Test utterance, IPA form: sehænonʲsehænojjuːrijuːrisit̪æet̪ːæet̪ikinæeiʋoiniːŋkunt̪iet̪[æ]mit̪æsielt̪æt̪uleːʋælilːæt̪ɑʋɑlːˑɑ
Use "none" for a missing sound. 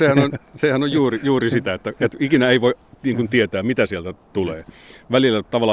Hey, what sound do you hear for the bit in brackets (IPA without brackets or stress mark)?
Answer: æː